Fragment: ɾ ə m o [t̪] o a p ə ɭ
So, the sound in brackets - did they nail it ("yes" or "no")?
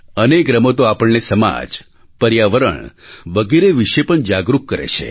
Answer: yes